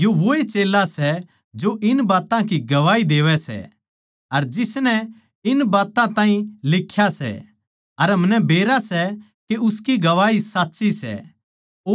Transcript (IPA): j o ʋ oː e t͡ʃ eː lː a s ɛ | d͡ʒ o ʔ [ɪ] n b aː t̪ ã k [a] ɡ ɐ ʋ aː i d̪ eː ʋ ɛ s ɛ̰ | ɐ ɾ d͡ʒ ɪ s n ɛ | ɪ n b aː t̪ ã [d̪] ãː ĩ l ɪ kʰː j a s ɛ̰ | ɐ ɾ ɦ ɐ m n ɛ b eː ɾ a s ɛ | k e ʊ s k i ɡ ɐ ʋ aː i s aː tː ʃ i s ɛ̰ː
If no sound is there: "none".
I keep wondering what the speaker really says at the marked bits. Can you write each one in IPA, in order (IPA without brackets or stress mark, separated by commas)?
ɪ, i, t̪